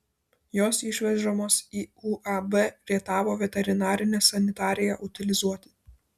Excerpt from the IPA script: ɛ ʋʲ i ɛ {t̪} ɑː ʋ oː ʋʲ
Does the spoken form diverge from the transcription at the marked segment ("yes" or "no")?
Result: no